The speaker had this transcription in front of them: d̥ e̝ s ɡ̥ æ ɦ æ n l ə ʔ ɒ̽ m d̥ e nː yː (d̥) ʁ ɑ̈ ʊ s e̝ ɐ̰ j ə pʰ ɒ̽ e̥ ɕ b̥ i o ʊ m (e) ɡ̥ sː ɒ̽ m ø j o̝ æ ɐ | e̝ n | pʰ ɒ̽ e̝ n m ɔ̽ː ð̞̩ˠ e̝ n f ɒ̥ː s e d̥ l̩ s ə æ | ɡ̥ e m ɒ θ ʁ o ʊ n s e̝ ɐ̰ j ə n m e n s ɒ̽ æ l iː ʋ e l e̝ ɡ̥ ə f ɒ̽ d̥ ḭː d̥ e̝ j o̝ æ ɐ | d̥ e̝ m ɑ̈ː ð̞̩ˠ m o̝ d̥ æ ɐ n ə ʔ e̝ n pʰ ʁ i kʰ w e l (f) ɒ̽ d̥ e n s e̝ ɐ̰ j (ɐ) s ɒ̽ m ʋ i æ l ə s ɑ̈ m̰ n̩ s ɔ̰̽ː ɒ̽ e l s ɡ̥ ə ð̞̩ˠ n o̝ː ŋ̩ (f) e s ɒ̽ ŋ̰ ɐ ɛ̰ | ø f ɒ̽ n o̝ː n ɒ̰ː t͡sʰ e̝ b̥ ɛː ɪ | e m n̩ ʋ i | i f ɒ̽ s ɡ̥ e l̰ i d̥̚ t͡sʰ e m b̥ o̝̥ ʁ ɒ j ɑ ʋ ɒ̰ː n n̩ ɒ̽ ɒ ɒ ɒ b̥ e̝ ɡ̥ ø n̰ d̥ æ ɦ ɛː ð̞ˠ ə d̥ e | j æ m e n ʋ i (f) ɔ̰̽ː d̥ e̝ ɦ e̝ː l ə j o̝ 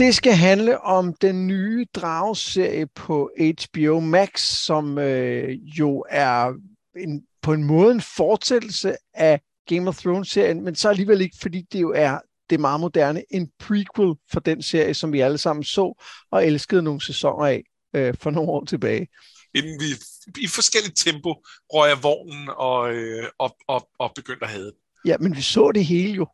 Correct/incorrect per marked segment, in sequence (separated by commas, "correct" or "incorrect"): correct, incorrect, correct, incorrect, incorrect, incorrect